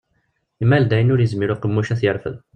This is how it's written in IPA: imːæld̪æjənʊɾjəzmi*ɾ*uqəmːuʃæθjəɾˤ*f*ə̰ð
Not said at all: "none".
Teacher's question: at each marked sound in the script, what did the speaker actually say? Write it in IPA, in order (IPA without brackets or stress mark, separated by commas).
ɾ, f